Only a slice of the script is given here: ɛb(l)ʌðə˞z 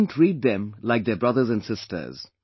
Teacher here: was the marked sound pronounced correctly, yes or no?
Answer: no